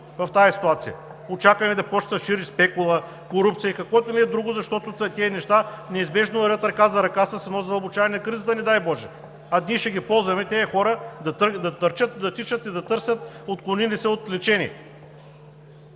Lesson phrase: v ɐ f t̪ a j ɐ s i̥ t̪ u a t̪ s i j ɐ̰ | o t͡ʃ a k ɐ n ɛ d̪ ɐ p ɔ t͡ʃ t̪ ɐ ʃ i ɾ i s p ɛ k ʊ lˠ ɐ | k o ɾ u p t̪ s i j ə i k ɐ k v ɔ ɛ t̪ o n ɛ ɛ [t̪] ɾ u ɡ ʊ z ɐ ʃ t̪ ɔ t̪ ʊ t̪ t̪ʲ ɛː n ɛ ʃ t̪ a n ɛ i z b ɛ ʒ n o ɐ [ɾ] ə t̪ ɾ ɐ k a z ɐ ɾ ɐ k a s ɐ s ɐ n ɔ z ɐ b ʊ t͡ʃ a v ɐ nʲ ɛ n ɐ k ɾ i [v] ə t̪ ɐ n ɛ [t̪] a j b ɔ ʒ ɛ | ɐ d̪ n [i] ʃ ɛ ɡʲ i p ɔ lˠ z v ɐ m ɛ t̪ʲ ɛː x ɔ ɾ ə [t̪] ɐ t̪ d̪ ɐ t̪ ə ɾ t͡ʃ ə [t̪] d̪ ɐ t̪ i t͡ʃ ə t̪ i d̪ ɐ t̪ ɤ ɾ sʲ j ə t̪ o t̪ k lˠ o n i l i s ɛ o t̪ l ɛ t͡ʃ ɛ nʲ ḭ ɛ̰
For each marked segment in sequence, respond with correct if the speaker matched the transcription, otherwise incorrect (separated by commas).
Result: incorrect, correct, incorrect, incorrect, correct, incorrect, correct